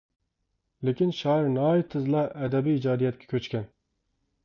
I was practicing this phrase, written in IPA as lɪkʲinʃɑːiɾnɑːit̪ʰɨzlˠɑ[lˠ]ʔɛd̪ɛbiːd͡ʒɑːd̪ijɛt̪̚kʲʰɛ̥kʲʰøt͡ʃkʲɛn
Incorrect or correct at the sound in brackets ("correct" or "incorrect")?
incorrect